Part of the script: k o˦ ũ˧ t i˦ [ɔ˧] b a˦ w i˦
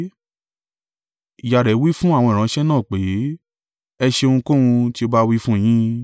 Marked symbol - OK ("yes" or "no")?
no